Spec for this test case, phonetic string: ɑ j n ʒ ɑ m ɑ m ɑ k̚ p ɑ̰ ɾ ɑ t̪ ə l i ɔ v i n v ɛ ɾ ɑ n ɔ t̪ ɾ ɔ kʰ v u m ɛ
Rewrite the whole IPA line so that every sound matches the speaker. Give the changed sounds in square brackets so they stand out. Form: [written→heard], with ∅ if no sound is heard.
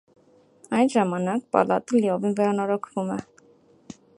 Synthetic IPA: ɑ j n ʒ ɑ m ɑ [m→n] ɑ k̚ p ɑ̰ [ɾ→l] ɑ t̪ ə l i ɔ v i n v ɛ ɾ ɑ n ɔ [t̪→∅] ɾ ɔ kʰ v u m ɛ